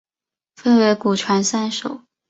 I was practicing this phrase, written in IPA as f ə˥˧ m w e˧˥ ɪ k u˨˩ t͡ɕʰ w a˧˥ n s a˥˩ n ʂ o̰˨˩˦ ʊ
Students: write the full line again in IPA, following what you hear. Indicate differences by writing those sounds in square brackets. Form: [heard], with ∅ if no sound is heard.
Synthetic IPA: f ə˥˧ [n] w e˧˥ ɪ k u˨˩ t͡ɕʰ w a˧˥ n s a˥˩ n ʂ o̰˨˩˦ ʊ